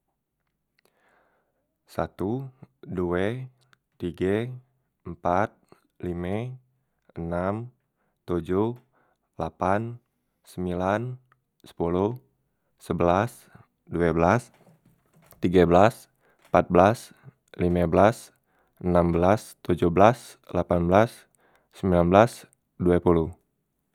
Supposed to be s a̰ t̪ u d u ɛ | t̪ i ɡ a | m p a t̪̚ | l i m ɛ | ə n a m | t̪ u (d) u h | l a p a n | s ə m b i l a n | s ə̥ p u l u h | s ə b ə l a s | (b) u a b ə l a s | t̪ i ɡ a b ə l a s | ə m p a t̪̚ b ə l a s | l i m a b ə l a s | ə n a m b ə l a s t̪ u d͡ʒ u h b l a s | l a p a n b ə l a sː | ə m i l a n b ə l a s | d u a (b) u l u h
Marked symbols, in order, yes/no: no, no, no

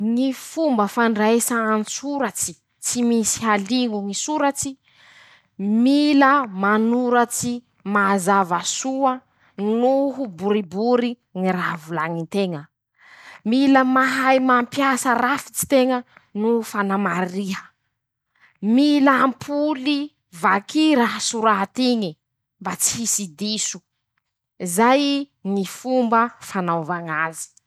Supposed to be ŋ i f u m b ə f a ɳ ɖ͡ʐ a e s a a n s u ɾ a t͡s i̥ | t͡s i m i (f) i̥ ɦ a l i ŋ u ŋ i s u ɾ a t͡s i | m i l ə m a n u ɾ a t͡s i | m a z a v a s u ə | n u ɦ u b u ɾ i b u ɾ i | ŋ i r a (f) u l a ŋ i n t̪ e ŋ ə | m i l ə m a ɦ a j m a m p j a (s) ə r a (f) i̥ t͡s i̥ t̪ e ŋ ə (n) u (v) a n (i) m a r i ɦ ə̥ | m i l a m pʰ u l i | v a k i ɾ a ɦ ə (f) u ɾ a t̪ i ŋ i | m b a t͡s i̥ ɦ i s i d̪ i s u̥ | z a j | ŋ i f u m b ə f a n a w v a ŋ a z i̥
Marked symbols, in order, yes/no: no, no, yes, yes, yes, no, no, no

